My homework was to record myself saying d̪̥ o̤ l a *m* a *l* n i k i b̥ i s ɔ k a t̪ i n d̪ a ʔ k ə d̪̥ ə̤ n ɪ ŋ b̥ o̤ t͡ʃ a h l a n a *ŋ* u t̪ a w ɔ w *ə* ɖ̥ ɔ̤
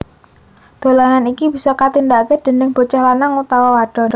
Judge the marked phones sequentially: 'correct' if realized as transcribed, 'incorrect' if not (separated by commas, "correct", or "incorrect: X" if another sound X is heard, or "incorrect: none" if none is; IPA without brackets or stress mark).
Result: incorrect: ŋ, incorrect: none, correct, incorrect: a